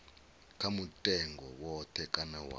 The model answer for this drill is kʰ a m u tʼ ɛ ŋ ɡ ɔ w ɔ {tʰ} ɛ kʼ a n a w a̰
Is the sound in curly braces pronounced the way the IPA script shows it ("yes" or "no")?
yes